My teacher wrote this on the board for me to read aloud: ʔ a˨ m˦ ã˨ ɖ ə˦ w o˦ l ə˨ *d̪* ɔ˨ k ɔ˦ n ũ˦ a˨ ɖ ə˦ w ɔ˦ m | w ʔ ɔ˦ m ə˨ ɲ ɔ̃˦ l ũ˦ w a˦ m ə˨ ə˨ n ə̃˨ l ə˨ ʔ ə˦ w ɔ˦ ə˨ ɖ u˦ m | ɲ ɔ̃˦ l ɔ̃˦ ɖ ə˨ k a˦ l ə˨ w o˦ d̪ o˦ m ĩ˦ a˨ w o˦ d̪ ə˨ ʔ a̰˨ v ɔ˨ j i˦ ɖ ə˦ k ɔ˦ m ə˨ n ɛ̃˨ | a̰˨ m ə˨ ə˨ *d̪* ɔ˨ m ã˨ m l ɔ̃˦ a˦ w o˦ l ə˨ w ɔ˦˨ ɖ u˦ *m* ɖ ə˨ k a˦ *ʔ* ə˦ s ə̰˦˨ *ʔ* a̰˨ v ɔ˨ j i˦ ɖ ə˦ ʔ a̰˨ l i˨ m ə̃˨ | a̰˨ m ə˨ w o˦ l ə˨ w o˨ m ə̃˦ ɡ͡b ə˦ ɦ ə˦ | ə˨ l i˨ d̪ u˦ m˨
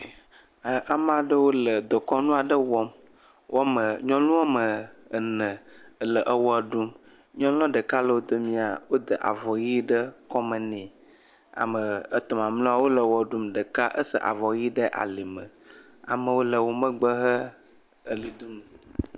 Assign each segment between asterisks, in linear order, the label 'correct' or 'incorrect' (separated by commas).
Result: correct, incorrect, correct, correct, correct